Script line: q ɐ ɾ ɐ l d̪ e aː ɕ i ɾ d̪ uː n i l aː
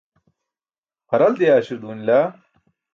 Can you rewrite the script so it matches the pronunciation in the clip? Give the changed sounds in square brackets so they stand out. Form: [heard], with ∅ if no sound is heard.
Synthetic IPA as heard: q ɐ ɾ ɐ l d̪ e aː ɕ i ɾ d̪ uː n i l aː